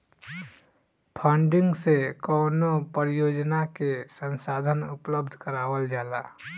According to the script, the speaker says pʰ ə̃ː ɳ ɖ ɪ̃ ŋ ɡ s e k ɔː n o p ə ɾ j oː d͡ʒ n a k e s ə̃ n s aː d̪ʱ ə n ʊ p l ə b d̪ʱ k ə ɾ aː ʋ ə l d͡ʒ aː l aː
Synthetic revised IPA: pʰ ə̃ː ɳ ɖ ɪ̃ ŋ ɡ s e k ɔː n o p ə ɾ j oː d͡ʒ n a k e s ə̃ n s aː d̪ʱ ə n ʊ p l ə b d̪ʱ k ə ɾ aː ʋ ə l d͡ʒ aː l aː